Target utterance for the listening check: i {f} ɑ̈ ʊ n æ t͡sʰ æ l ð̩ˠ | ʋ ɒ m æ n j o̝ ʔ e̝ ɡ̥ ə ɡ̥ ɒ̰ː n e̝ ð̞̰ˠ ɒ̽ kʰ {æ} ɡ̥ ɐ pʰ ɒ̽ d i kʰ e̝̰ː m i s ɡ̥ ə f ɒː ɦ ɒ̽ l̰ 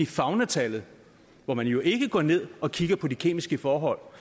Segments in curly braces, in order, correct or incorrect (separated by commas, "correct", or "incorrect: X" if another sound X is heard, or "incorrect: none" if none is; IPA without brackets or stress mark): correct, incorrect: i